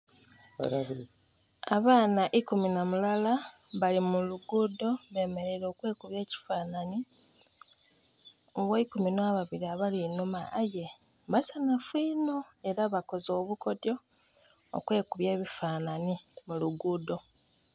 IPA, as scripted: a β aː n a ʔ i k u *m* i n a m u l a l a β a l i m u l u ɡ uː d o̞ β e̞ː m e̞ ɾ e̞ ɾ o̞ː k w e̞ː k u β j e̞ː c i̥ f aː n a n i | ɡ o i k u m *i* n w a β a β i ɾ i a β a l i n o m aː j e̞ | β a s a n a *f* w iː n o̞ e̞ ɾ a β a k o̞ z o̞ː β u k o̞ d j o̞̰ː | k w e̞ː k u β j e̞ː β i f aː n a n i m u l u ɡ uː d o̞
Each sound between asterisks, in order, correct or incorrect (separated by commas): correct, correct, correct